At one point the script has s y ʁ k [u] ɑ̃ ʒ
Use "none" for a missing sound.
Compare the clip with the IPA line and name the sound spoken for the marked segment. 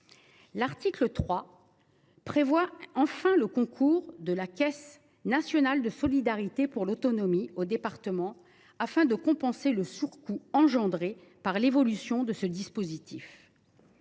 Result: u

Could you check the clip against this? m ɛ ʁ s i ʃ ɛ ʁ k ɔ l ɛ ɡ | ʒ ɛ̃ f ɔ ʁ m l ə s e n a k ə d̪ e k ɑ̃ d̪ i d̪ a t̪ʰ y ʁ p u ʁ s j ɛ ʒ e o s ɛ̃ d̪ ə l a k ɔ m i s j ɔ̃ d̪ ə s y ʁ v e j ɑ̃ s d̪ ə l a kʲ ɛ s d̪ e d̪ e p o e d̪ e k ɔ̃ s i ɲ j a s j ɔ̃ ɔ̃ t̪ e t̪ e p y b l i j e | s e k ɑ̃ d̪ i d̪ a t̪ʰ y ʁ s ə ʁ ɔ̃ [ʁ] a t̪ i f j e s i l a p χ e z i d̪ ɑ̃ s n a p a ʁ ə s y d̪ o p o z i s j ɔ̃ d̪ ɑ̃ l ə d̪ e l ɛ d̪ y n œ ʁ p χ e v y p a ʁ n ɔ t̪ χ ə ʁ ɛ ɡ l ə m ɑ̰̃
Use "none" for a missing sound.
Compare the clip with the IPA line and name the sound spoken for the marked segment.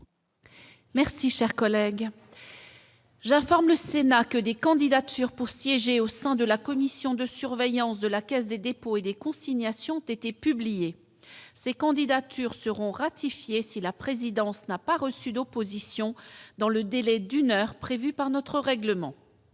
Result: ʁ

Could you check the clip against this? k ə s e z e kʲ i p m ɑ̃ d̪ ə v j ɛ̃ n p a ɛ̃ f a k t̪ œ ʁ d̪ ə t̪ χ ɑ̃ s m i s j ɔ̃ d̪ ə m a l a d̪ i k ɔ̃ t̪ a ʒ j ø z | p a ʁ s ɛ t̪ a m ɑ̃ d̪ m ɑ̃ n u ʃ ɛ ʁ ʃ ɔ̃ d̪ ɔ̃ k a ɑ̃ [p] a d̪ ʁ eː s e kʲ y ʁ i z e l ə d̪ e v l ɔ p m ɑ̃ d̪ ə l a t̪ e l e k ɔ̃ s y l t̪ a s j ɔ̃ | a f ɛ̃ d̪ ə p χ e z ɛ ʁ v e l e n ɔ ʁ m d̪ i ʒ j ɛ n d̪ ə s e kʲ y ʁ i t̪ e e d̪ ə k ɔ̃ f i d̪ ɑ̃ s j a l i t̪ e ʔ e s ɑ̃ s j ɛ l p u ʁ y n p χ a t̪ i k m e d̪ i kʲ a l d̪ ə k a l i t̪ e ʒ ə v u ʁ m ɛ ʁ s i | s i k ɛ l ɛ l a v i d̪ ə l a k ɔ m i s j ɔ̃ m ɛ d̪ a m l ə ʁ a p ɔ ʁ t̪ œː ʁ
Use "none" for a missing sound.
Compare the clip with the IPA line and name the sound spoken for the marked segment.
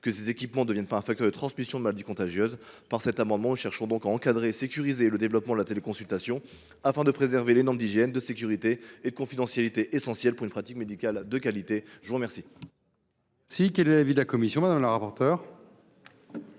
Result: k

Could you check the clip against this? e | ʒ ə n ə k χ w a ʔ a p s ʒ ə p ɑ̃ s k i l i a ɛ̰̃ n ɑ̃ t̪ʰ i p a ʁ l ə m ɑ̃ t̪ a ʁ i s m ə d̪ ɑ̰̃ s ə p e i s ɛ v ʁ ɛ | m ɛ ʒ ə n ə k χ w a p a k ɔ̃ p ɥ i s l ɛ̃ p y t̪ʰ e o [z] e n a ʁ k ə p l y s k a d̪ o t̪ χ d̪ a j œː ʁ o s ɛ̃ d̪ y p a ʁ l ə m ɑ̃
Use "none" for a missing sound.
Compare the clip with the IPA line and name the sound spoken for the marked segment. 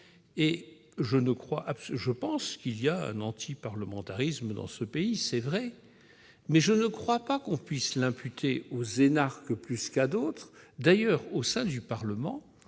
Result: z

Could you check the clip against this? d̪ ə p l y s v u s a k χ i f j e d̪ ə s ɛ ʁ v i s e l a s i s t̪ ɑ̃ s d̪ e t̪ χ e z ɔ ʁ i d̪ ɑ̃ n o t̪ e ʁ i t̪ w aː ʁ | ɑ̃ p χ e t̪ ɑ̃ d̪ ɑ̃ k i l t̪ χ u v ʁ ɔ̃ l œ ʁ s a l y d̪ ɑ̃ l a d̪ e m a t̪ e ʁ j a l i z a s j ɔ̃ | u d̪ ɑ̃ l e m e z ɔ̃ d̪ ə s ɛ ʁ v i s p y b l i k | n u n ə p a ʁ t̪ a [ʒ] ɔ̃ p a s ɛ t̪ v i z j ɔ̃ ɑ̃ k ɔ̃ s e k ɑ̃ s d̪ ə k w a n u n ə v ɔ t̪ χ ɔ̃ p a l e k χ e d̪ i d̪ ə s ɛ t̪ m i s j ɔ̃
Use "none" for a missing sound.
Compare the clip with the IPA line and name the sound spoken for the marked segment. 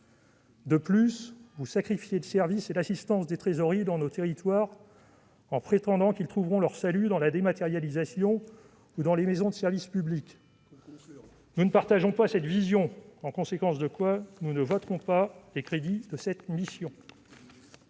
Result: ʒ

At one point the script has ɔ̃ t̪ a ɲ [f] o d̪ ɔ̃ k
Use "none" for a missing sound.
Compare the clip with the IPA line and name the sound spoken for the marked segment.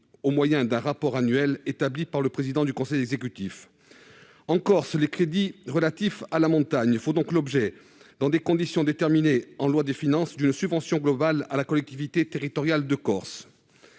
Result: f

